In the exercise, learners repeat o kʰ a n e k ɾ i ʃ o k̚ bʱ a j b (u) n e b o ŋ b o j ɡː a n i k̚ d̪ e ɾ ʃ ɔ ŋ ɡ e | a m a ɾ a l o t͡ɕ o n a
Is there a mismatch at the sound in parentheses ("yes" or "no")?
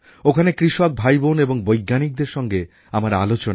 yes